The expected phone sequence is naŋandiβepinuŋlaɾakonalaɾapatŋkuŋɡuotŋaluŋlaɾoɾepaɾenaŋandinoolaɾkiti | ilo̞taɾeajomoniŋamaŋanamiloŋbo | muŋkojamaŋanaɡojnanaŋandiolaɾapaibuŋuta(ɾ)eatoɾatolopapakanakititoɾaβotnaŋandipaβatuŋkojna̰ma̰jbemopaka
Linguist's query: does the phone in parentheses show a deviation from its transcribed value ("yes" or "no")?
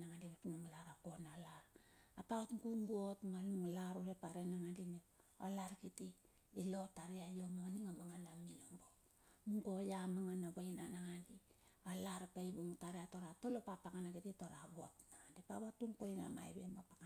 no